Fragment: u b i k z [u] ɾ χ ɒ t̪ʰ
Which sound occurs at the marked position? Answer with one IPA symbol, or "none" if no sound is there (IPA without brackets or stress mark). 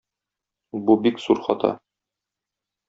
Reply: u